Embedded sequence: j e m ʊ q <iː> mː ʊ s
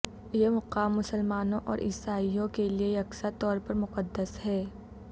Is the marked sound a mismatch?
yes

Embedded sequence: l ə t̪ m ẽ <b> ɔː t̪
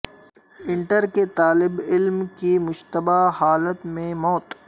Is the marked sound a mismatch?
yes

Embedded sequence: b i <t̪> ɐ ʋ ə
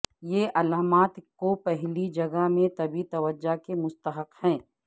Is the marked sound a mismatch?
no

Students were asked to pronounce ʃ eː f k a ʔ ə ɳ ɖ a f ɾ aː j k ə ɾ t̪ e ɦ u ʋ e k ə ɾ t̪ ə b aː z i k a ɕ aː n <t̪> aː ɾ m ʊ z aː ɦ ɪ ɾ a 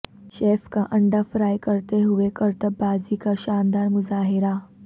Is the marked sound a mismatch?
yes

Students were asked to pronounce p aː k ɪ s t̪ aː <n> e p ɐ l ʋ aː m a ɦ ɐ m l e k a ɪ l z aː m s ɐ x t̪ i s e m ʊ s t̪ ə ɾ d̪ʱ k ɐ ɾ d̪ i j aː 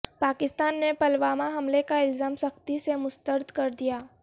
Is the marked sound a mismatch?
yes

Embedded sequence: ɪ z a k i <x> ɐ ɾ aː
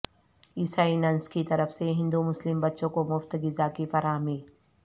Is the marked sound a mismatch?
yes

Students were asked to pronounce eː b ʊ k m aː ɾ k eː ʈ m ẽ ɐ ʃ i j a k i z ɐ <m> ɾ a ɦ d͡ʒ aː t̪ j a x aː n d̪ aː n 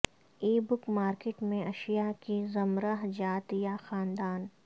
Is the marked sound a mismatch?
no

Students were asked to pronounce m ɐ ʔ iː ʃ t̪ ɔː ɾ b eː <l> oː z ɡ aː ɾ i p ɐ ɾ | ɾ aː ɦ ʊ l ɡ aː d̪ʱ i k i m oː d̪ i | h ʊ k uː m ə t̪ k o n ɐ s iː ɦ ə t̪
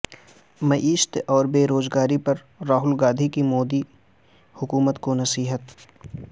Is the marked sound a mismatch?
yes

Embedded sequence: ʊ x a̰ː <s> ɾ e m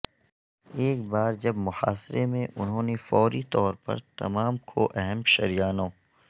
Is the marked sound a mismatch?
no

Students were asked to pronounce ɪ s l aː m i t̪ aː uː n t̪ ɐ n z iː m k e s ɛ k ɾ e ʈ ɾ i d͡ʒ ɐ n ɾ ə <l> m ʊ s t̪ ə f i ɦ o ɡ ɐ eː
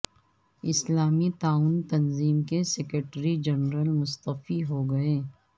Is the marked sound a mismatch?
no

